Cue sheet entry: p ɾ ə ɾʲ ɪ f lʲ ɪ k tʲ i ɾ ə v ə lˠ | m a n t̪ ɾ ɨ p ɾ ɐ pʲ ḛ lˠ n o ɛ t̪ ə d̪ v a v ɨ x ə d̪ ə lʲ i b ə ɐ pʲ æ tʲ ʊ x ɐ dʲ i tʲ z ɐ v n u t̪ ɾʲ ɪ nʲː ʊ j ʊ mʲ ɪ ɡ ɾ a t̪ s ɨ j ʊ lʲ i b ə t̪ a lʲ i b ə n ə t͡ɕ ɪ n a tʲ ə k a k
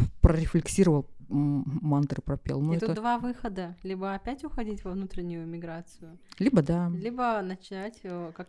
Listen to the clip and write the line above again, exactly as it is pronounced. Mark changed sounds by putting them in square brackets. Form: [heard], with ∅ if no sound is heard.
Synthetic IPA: p ɾ ə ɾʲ ɪ f lʲ ɪ k [sʲ] i ɾ ə v ə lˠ | m a n t̪ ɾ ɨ p ɾ ɐ pʲ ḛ lˠ n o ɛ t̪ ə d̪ v a v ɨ x ə d̪ ə lʲ i b ə ɐ pʲ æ tʲ ʊ x ɐ dʲ i tʲ [v] ɐ v n u t̪ ɾʲ ɪ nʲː ʊ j ʊ mʲ ɪ ɡ ɾ a t̪ s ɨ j ʊ lʲ i b ə [d̪] a lʲ i b ə n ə t͡ɕ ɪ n a tʲ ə k a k